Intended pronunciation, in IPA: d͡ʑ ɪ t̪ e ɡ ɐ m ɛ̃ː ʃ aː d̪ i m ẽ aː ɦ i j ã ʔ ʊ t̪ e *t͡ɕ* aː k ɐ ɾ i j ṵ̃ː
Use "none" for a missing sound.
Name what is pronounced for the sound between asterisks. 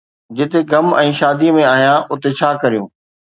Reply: t͡ɕʰ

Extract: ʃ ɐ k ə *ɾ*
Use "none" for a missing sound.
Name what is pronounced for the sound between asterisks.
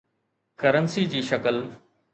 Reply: l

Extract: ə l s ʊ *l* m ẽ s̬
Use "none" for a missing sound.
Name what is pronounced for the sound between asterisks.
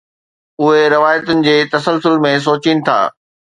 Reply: l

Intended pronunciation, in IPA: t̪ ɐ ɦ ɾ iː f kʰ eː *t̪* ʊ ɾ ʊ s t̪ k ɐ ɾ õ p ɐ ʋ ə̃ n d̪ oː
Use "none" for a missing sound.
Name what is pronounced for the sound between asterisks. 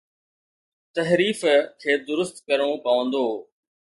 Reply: d̪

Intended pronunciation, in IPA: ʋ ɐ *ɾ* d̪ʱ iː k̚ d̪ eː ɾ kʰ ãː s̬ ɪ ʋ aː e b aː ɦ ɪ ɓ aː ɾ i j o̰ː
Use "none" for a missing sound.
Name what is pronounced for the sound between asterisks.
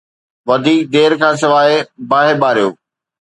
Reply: none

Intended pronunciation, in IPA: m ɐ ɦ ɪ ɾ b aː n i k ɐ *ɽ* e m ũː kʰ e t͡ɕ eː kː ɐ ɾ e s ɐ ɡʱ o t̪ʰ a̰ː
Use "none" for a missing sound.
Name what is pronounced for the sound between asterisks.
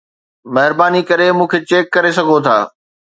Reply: ɾ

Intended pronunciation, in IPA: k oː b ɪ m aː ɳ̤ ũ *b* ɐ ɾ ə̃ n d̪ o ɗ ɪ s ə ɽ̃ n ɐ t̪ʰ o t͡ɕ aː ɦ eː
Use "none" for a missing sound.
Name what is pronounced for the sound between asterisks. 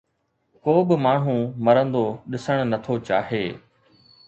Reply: m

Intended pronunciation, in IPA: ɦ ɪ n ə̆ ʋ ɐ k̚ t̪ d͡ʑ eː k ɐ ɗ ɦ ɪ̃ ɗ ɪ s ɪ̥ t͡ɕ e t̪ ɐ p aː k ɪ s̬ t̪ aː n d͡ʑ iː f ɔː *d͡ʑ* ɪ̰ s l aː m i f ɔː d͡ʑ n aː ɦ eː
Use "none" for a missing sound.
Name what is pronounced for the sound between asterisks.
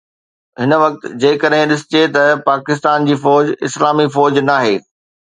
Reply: d͡ʑ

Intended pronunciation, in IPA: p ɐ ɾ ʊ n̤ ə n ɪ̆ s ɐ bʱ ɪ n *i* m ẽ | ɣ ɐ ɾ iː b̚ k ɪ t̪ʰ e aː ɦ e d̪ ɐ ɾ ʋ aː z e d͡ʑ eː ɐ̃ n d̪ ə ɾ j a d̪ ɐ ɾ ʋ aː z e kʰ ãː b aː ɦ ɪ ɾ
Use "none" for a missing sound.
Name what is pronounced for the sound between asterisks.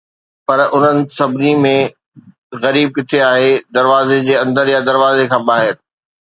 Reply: i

